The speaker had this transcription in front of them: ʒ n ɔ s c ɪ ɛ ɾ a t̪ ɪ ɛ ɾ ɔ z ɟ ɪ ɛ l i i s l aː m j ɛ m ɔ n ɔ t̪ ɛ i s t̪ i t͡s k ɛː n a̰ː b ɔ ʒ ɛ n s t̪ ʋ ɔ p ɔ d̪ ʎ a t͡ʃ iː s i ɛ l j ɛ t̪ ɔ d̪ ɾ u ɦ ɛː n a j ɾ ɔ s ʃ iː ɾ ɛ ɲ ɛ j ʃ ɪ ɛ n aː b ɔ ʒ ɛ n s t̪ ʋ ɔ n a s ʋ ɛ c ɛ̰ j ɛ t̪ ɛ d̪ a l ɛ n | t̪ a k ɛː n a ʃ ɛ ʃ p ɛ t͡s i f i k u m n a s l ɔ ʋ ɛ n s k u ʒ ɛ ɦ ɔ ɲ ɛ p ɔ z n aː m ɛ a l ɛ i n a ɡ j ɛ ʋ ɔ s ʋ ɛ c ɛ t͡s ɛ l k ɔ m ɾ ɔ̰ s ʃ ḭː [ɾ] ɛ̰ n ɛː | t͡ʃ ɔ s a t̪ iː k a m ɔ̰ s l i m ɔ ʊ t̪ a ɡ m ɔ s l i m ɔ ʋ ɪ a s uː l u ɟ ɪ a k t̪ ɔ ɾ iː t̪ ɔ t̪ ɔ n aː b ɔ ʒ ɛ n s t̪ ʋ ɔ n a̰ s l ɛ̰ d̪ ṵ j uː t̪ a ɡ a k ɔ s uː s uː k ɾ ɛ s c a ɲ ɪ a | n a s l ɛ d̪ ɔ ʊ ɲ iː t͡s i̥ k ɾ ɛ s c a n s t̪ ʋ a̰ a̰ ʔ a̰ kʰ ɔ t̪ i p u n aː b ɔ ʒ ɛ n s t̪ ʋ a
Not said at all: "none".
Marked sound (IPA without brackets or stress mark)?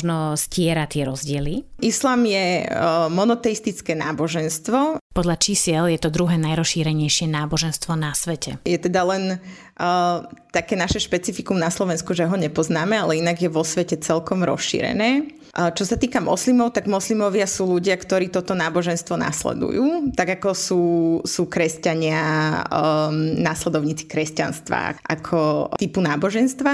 ɾ